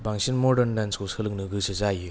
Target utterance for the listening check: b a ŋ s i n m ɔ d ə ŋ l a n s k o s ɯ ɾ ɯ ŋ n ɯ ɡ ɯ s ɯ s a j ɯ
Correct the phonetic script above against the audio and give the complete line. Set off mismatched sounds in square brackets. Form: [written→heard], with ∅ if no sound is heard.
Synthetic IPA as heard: b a ŋ s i n m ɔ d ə [ŋ→n] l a n s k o s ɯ [ɾ→l] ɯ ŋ n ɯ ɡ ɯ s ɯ [s→z] a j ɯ